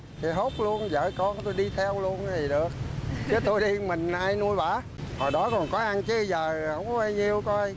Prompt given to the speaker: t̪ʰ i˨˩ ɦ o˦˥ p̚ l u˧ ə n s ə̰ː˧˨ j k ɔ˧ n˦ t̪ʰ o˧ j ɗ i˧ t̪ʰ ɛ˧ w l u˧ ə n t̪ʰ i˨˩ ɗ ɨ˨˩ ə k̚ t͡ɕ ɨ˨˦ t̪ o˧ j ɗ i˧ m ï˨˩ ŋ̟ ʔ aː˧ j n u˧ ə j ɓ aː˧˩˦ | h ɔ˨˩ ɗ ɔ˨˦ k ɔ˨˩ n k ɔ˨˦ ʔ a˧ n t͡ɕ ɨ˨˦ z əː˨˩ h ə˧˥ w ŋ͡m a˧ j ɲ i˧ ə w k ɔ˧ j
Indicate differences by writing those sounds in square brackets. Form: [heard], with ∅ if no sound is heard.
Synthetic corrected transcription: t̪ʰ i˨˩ ɦ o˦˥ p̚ l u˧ ə n [z] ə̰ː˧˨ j k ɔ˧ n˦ [t̪] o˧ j ɗ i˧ t̪ʰ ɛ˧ w l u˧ ə n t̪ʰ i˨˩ ɗ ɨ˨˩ ə k̚ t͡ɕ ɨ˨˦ t̪ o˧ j ɗ i˧ m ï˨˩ ŋ̟ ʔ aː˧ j n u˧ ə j ɓ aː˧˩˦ | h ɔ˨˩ ɗ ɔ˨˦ k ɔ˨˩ n k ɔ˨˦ ʔ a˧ n t͡ɕ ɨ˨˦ z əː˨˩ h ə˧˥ w ŋ͡m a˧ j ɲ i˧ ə w k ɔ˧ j